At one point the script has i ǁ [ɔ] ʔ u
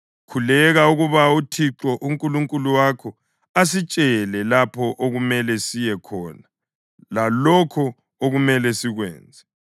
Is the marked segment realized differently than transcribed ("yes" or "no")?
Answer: no